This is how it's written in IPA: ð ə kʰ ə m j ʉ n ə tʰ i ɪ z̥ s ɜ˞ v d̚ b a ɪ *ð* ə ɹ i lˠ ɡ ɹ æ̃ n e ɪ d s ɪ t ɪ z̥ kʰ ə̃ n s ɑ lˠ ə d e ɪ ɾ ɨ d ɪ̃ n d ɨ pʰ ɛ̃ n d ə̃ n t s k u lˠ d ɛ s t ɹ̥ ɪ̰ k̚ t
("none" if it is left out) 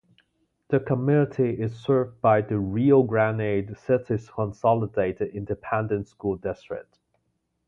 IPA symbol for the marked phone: ð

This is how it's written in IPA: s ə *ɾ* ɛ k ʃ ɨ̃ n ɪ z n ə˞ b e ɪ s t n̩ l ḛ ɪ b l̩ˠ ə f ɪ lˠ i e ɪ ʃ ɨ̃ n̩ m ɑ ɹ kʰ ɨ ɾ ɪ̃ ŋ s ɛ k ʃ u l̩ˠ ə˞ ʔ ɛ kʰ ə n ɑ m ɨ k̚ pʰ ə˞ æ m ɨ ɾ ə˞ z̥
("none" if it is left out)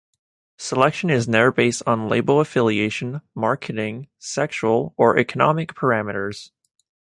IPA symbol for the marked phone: l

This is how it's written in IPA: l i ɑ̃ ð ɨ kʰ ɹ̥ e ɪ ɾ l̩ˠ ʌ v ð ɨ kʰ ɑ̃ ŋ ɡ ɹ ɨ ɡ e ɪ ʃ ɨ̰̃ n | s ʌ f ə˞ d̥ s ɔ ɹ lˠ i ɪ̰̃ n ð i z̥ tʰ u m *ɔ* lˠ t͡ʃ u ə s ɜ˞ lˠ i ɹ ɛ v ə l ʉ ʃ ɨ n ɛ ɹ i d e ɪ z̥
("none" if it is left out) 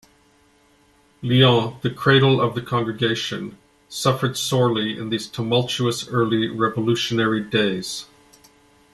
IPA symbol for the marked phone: ʌ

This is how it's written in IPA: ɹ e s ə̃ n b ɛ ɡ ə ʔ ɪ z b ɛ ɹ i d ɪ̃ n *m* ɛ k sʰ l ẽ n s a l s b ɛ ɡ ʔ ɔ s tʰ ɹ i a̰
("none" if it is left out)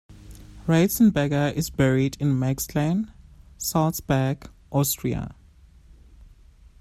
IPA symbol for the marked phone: m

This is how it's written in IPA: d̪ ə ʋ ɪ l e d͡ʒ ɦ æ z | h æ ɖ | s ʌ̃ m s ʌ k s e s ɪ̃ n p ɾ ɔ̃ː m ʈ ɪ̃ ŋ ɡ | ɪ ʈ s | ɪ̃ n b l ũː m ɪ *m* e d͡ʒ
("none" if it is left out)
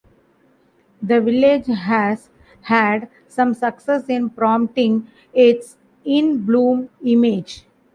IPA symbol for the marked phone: m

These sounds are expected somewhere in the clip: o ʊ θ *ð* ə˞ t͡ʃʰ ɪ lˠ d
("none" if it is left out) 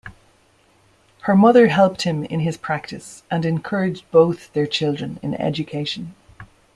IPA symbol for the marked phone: ð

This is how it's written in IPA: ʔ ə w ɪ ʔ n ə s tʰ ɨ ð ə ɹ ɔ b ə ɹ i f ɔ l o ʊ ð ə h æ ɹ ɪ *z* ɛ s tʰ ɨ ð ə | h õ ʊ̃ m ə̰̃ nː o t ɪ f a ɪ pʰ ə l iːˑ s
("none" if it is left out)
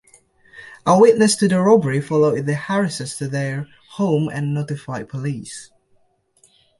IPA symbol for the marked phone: s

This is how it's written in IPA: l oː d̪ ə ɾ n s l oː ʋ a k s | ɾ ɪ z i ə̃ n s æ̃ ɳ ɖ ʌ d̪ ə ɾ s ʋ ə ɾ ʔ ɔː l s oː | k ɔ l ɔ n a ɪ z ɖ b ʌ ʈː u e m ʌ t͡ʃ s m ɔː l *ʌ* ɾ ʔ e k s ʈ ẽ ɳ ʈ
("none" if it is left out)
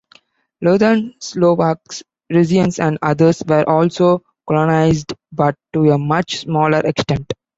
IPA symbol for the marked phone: ə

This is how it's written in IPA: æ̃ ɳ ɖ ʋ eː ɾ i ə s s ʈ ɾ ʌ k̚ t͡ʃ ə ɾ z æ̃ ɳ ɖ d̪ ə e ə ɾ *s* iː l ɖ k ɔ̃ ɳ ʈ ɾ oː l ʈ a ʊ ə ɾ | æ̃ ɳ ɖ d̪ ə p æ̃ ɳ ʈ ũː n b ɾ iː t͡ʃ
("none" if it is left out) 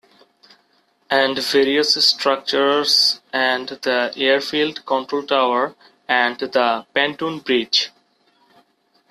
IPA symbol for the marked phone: f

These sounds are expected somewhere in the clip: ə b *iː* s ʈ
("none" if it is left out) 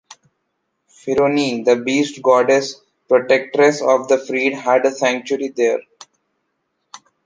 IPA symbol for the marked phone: iː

